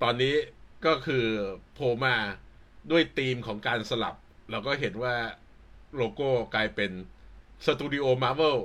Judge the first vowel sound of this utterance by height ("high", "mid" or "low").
mid